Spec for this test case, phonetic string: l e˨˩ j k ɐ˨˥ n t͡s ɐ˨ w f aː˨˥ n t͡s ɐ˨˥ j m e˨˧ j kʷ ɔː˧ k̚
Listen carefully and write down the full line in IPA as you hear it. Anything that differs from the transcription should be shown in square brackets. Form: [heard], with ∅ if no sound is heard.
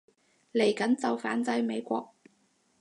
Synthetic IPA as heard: l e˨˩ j k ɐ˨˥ n t͡s ɐ˨ w f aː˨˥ n t͡s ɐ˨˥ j m e˨˧ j kʷ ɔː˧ k̚